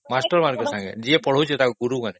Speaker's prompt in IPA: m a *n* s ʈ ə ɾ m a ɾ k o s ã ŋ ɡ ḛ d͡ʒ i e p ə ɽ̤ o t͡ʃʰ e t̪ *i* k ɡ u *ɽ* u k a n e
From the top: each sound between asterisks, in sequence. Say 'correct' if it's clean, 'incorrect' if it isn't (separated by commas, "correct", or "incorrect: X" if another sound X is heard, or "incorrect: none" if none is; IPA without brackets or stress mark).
incorrect: none, incorrect: a, incorrect: ɾ